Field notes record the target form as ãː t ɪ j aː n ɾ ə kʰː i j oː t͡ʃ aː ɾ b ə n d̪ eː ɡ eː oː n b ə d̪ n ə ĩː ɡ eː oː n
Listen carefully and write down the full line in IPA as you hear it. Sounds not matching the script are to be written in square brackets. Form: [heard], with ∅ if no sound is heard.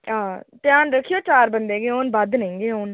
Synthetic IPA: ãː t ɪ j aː n ɾ ə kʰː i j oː t͡ʃ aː ɾ b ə n d̪ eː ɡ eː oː n b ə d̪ n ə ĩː ɡ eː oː n

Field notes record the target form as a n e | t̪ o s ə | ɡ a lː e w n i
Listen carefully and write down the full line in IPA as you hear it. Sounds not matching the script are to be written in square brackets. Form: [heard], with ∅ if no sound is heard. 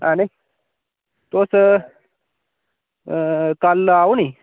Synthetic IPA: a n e | t̪ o s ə | [k] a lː [a] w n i

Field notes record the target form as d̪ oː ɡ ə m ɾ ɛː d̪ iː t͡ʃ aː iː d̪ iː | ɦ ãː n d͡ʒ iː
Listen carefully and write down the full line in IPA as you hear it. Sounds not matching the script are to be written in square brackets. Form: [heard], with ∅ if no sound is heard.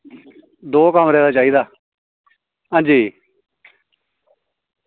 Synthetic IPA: d̪ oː [k] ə m ɾ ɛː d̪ [aː] t͡ʃ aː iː d̪ [aː] | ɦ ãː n d͡ʒ iː

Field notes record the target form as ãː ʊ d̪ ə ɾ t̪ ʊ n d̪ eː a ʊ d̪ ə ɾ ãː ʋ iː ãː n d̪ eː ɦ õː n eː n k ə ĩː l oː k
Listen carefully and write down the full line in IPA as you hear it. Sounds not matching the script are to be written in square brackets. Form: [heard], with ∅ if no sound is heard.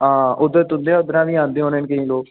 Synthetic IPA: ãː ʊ d̪ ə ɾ t̪ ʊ n d̪ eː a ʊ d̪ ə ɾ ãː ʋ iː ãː n d̪ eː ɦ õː n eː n k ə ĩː l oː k

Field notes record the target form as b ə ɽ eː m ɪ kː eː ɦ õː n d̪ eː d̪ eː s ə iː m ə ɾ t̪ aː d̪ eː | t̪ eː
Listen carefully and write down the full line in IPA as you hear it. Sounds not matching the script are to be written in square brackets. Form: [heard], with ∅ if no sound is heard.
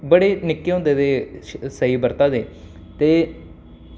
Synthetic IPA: b ə ɽ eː [n] ɪ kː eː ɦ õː n d̪ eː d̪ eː s ə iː [b] ə ɾ t̪ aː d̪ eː | t̪ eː

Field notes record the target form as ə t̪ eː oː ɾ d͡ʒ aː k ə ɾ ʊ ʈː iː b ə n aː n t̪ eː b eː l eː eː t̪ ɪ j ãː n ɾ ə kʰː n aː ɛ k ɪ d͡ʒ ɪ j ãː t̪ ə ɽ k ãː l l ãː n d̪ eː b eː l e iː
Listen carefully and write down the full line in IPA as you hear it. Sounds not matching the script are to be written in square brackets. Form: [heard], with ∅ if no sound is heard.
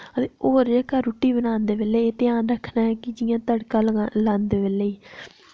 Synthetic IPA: ə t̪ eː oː ɾ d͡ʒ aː k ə ɾ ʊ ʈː iː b ə n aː n [d̪] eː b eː l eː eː t̪ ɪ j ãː n ɾ ə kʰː n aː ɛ k ɪ d͡ʒ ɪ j ãː t̪ ə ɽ k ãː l l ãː n d̪ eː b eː l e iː

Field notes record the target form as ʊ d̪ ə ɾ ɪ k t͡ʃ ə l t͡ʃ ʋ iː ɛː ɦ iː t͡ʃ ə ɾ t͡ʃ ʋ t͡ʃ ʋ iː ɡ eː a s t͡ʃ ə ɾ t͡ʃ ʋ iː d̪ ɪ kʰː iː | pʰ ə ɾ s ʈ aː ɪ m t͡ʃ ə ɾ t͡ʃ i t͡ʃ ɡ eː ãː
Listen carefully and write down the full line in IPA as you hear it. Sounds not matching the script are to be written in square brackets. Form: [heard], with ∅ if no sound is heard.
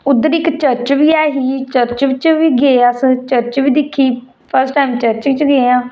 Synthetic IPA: ʊ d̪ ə ɾ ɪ k t͡ʃ ə [ɾ] t͡ʃ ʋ iː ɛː ɦ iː t͡ʃ ə ɾ t͡ʃ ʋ t͡ʃ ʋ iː ɡ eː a s t͡ʃ ə ɾ t͡ʃ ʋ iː d̪ ɪ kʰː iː | pʰ ə ɾ s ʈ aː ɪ m t͡ʃ ə ɾ t͡ʃ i t͡ʃ ɡ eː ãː

